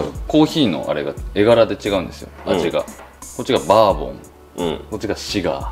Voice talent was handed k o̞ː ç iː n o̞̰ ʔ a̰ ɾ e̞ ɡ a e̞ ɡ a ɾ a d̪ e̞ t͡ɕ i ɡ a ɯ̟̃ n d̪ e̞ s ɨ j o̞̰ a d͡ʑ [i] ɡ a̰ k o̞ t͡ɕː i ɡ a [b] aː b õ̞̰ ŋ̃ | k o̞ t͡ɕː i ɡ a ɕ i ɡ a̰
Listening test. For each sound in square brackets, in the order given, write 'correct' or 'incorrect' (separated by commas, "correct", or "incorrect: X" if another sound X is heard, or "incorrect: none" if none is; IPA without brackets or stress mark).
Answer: correct, correct